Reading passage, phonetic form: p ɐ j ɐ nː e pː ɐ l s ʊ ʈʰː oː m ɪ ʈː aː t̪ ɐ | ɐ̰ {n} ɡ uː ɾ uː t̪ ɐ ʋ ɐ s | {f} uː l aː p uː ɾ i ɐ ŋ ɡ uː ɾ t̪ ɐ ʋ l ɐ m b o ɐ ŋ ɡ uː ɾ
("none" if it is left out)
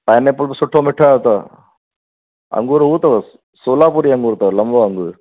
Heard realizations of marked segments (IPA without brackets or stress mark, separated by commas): ŋ, s